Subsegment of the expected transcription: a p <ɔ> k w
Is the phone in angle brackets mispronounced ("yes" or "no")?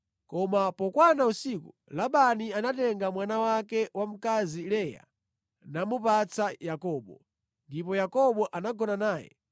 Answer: no